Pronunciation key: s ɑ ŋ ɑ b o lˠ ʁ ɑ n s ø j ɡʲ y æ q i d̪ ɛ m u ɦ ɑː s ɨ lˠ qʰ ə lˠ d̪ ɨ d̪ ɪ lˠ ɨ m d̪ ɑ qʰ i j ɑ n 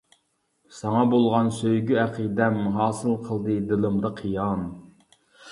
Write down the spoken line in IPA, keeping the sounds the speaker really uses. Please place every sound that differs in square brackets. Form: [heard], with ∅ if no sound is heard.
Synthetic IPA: s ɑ ŋ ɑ b o lˠ ʁ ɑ n s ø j ɡʲ y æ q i d̪ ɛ m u ɦ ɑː s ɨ lˠ qʰ ə lˠ d̪ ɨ d̪ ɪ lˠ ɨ m d̪ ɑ qʰ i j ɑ n